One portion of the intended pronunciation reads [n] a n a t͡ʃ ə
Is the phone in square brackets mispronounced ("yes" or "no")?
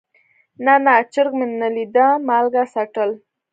no